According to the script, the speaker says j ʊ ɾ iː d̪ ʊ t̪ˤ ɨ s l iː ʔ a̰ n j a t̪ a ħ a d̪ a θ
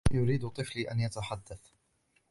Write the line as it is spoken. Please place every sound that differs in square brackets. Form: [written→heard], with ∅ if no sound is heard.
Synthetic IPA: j ʊ ɾ iː d̪ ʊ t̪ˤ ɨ [s→f] l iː ʔ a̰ n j a t̪ a ħ a [d̪→d̪ː] a θ